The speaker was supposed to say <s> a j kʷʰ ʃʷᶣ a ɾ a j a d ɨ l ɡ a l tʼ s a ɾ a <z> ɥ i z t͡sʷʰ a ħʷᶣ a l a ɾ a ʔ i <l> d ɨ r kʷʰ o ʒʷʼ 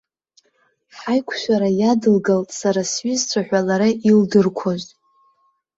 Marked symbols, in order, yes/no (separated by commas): no, no, yes